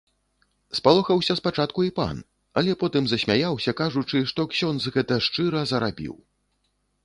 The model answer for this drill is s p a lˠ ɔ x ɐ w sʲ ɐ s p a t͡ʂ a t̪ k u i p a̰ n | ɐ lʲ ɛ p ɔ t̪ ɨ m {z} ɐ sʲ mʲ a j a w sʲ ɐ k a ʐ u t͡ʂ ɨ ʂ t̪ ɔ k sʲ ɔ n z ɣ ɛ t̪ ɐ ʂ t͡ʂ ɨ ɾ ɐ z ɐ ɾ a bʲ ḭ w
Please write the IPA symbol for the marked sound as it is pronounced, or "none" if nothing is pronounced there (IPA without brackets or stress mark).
z